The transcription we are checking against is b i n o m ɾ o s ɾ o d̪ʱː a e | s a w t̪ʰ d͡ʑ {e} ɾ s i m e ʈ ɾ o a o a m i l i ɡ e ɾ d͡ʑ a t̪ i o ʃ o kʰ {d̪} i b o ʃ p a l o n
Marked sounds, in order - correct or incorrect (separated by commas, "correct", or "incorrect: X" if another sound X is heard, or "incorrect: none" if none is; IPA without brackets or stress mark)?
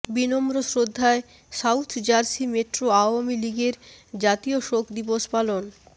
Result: incorrect: a, correct